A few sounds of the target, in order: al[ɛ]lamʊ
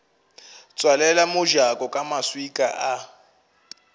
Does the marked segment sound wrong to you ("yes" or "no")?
no